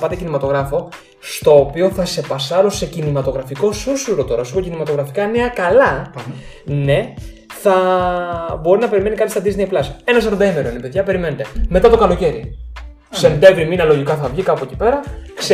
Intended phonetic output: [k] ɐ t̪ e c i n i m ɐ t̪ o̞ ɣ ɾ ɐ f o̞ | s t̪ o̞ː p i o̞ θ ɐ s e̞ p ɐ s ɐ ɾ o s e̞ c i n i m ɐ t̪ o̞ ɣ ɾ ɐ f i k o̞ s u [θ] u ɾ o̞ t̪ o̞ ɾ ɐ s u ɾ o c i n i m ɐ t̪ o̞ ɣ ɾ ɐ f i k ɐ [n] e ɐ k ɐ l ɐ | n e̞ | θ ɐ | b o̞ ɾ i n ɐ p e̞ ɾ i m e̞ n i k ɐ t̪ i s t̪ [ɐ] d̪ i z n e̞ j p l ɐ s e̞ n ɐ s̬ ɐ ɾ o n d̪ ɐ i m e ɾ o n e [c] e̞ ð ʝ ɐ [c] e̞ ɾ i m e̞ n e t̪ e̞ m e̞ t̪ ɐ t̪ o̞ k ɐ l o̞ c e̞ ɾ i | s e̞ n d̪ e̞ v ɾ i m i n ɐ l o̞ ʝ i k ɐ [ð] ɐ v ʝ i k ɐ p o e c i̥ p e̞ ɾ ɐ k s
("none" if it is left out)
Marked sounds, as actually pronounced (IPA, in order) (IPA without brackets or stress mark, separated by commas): p, s, n, ɐ, p, p, θ